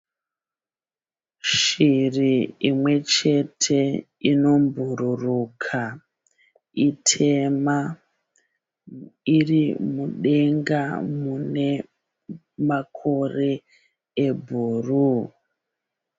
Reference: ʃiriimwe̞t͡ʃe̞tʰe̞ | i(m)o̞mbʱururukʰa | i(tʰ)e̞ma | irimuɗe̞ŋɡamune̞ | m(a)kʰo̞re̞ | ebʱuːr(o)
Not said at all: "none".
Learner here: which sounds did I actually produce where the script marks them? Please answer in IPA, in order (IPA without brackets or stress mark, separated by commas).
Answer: n, tʰ, a, u